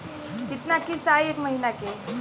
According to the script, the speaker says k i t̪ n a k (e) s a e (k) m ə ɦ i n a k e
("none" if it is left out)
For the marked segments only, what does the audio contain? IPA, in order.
i, k

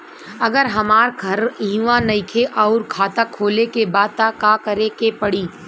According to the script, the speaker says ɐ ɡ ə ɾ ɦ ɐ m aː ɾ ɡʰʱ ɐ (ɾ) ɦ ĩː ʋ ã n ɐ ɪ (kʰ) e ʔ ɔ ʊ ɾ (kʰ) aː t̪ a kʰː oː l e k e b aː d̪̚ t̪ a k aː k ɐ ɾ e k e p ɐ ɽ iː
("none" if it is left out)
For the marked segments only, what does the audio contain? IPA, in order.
ɾ, kʰ, kʰ

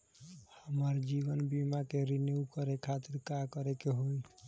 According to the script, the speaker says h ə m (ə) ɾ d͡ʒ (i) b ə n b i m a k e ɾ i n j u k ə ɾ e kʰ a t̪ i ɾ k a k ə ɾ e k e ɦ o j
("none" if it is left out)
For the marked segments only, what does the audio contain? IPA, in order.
ə, i

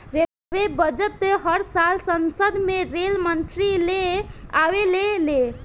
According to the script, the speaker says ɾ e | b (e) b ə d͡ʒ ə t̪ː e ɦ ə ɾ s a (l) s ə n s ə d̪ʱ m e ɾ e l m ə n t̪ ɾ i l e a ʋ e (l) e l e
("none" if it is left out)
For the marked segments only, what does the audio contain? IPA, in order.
e, l, l

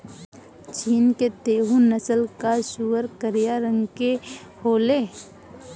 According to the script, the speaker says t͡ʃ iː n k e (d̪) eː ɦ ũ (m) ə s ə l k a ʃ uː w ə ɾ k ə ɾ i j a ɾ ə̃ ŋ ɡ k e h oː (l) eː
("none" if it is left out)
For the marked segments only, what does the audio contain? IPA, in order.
t̪, n, l

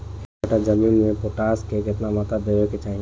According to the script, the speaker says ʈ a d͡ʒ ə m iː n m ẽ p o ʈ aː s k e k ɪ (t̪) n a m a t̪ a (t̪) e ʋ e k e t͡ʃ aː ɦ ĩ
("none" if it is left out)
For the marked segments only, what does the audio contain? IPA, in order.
t̪, d̪

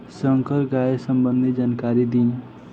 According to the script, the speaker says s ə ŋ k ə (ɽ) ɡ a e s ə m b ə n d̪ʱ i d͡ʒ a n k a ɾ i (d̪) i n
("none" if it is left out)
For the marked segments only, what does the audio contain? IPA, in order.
ɾ, d̪

